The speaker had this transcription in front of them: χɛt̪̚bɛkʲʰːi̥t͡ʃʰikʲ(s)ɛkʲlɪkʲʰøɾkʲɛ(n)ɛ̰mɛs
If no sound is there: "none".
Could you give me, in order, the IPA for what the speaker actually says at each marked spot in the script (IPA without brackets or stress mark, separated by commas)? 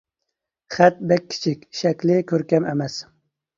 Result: ʃ, m